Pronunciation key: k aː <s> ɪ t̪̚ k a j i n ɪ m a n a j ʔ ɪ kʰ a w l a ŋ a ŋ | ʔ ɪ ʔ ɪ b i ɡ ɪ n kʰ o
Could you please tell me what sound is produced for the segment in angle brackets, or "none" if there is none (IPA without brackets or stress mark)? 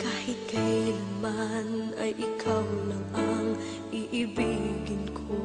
h